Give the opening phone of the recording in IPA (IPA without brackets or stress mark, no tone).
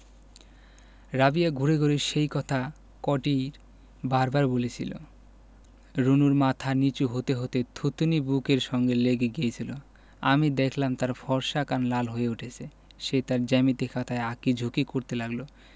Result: ɾ